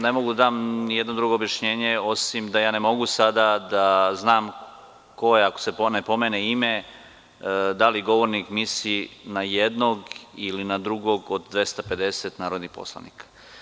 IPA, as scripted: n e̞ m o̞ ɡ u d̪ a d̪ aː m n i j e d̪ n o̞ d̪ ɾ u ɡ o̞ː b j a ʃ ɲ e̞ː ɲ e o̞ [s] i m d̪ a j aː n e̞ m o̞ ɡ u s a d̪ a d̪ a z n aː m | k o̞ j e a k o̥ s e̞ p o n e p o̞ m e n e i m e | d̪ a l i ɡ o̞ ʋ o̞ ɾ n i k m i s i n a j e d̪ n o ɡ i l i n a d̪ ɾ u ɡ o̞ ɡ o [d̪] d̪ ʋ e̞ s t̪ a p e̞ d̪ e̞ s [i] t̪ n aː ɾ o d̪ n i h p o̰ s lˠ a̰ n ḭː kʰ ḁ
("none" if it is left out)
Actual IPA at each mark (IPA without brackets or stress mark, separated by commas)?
s, d̪, e